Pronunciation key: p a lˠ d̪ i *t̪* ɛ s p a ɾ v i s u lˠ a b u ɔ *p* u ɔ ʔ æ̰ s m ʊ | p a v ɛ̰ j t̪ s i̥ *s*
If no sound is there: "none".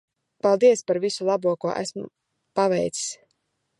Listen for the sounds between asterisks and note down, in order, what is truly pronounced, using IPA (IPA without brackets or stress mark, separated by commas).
none, k, s